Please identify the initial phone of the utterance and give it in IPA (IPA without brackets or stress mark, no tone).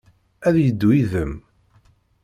æ